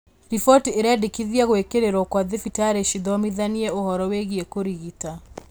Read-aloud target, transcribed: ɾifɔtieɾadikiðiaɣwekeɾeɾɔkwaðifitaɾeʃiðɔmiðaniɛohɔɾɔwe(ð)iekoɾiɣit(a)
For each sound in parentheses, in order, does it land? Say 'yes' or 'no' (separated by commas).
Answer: no, yes